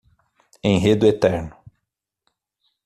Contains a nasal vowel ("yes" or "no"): yes